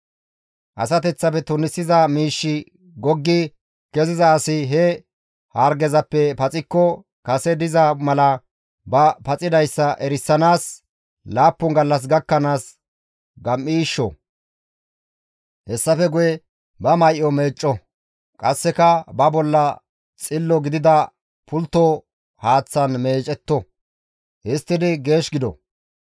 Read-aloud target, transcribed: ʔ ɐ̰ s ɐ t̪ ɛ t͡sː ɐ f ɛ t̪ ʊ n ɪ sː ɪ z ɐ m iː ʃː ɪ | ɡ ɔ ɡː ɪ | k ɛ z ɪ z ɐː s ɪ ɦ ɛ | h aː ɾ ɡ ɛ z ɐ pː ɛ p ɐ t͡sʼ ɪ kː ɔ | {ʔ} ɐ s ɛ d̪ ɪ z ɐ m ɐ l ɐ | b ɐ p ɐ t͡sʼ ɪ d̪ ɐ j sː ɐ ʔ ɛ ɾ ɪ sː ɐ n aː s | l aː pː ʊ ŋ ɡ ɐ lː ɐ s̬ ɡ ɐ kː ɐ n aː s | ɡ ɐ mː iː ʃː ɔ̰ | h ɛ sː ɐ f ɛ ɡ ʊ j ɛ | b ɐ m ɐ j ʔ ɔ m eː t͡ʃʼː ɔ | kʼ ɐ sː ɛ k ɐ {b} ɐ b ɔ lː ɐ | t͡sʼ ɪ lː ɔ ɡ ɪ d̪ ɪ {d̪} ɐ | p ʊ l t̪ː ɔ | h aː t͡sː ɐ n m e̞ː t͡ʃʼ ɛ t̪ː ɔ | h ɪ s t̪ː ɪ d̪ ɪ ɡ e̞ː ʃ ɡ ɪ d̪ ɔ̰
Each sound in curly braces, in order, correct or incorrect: incorrect: k, correct, correct

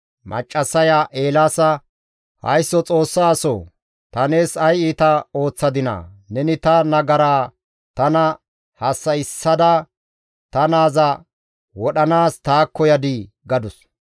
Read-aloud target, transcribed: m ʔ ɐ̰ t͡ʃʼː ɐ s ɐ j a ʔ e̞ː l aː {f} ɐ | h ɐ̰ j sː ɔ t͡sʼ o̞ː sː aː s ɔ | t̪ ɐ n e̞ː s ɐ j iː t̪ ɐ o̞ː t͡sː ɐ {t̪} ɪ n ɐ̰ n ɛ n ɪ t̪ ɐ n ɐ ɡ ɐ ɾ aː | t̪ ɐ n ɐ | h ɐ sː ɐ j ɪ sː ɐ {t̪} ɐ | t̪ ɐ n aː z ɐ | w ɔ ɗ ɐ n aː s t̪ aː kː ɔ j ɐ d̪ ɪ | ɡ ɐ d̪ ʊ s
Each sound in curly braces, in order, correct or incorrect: incorrect: s, incorrect: d̪, incorrect: d̪

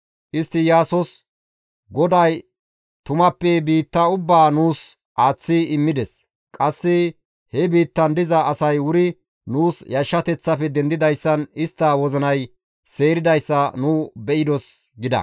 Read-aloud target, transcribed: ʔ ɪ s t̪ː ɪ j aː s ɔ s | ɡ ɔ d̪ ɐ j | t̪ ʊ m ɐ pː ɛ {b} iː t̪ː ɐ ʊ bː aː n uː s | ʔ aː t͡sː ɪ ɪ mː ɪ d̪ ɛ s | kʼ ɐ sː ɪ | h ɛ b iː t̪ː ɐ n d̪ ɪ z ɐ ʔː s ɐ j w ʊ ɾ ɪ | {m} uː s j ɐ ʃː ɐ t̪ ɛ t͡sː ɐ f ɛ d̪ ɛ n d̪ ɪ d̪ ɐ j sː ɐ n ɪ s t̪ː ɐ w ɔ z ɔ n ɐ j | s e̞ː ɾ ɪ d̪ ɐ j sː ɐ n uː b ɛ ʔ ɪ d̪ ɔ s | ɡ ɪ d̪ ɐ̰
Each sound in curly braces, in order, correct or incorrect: correct, incorrect: n

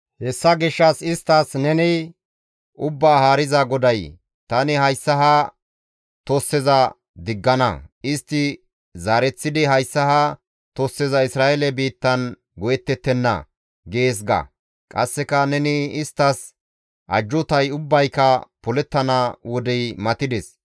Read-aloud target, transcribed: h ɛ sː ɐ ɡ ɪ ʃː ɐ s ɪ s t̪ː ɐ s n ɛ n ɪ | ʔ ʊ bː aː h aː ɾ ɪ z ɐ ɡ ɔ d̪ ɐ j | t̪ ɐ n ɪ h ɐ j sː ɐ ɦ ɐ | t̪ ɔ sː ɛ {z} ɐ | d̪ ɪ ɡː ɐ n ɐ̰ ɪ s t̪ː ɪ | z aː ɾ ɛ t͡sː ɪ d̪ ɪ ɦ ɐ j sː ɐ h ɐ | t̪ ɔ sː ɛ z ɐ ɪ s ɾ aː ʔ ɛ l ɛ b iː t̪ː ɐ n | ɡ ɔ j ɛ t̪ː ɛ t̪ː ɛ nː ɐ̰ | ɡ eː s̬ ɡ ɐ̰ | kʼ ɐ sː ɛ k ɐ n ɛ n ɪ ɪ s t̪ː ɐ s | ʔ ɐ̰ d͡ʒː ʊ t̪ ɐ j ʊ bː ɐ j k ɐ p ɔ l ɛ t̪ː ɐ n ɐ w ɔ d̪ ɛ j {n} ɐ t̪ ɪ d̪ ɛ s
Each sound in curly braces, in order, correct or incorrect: correct, incorrect: m

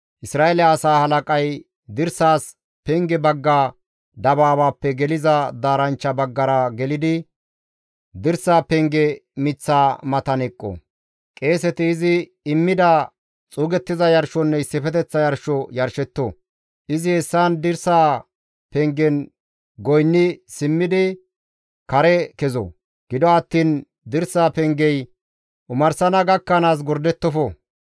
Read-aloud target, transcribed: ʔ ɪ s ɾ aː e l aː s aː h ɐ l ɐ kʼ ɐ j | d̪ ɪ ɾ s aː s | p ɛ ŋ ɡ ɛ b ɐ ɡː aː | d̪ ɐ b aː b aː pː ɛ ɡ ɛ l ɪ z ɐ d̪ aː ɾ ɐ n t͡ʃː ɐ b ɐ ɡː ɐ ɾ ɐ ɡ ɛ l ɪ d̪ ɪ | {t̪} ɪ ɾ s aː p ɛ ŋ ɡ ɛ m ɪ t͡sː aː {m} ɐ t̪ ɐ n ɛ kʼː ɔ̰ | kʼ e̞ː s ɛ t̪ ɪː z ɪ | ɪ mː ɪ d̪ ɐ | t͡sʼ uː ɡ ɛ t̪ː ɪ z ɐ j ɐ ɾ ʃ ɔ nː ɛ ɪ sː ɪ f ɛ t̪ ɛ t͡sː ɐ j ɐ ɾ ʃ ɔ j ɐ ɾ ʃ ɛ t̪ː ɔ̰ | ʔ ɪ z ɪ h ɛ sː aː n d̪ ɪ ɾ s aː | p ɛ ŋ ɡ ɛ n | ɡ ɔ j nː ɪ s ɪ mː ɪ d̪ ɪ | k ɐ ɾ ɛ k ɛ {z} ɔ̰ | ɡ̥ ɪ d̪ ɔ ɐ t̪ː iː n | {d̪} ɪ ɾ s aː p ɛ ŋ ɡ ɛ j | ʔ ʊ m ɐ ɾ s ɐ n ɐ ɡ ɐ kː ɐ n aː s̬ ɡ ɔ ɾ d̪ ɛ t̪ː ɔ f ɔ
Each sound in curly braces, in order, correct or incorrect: incorrect: d̪, correct, correct, correct

